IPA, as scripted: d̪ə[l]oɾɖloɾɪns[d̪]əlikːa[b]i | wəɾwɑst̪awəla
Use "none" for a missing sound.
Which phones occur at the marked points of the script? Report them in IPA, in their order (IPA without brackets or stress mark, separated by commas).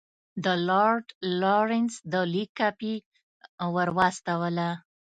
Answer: l, d̪, p